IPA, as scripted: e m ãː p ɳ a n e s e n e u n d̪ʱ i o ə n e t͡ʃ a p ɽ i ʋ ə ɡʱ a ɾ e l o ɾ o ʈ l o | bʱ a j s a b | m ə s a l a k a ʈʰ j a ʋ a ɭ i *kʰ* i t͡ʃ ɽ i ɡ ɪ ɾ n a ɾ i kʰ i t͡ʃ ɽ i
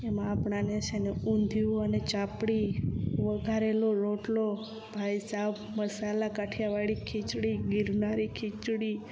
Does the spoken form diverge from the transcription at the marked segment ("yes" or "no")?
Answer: no